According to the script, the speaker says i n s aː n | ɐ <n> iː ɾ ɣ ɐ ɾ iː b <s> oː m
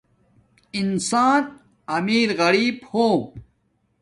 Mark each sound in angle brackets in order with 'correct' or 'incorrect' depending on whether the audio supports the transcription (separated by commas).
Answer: incorrect, incorrect